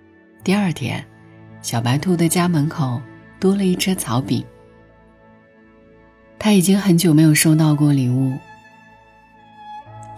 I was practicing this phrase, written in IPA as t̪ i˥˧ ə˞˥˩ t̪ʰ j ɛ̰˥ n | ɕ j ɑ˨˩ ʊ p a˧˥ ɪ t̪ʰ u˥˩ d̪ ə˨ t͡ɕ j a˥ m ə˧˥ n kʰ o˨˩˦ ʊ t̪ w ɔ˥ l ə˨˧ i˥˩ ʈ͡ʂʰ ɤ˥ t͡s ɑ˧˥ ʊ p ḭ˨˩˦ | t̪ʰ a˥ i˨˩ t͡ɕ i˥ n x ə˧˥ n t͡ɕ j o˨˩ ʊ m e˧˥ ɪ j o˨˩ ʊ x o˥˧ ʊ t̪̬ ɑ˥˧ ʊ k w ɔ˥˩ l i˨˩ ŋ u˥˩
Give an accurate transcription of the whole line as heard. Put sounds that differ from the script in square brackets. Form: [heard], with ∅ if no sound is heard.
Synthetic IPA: t̪ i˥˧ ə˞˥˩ t̪ʰ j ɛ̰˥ n | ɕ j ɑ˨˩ ʊ p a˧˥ ɪ t̪ʰ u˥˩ d̪ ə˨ t͡ɕ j a˥ m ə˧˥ n kʰ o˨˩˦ ʊ t̪ w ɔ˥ l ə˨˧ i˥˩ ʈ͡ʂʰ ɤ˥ [t͡sʰ] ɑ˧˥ ʊ p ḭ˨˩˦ | t̪ʰ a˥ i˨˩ t͡ɕ i˥ [ŋ] x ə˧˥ n t͡ɕ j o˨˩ ʊ m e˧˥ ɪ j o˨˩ ʊ [ʂ] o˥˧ ʊ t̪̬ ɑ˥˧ ʊ k w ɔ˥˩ l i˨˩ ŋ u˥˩